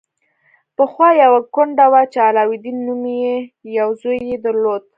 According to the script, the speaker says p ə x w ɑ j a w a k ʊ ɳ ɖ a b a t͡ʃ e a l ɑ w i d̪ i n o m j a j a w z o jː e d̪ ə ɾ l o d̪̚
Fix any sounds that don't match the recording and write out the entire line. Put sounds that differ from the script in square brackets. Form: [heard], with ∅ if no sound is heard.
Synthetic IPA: p ə x w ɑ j a w a k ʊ ɳ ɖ a [w] a t͡ʃ e a l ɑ w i d̪ i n [u] m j [e] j a w z o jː e d̪ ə ɾ l o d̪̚